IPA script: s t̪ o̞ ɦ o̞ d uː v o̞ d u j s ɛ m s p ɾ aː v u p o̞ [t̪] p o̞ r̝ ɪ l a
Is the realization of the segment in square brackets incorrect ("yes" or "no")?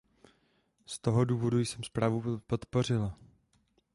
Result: no